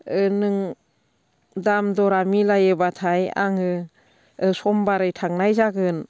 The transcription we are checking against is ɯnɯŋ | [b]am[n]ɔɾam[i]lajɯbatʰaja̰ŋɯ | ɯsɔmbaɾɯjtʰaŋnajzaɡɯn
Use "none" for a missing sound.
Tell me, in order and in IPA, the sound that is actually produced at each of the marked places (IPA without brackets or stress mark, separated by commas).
d, d, i